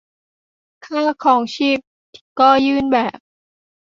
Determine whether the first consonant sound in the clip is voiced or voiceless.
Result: voiceless